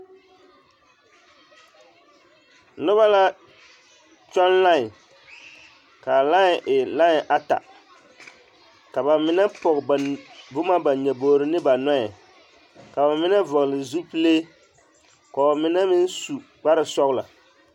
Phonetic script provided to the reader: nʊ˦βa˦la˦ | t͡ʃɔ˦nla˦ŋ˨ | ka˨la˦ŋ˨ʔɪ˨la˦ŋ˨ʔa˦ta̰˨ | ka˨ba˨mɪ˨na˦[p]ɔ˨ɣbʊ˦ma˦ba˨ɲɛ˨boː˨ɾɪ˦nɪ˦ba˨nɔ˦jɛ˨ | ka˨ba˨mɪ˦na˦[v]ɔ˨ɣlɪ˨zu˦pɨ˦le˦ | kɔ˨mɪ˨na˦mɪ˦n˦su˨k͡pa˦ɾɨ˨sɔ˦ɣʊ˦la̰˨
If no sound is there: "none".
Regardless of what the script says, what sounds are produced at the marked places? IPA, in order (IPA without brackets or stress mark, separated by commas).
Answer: p, v